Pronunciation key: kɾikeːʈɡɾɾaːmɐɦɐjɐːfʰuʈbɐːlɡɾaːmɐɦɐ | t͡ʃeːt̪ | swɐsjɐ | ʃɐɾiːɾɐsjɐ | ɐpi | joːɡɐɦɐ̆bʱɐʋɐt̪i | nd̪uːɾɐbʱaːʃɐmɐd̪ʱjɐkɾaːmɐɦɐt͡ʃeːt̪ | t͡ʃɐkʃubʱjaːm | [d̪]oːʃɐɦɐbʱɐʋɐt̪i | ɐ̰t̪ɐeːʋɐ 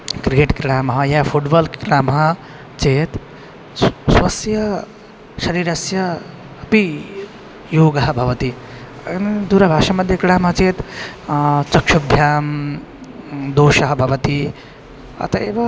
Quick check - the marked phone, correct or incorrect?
correct